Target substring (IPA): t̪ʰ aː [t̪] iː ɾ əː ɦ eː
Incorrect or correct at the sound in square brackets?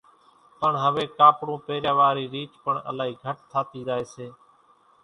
correct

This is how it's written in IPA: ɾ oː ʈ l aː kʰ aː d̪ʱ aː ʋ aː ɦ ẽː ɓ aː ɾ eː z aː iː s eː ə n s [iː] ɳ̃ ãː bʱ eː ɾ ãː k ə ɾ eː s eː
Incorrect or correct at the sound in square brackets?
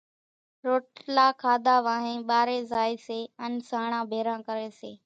incorrect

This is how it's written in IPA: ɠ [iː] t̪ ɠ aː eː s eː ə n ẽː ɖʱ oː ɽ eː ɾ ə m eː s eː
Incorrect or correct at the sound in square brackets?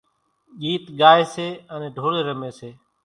correct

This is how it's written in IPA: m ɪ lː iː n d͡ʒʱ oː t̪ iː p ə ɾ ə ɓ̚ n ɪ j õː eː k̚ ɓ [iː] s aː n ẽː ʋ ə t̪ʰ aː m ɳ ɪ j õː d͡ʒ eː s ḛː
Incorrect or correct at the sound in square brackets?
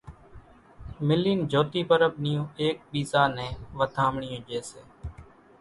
correct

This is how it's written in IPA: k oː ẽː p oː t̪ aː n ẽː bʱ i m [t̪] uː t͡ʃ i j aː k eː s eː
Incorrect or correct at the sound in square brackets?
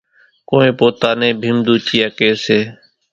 incorrect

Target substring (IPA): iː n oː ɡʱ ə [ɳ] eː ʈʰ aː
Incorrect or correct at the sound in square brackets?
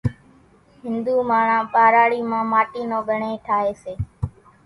correct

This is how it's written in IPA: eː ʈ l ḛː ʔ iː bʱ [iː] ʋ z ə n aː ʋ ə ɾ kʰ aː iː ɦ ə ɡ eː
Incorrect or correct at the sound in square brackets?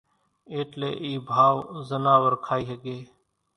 incorrect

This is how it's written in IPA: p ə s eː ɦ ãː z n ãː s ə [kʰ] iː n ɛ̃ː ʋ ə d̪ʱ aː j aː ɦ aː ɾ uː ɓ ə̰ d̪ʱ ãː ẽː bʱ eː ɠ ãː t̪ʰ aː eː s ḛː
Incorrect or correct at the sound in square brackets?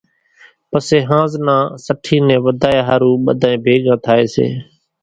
incorrect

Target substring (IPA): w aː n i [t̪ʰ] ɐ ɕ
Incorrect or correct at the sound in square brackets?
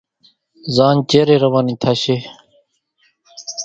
correct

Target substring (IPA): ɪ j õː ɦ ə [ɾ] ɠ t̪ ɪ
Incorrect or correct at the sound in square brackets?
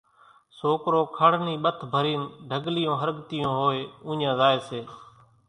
correct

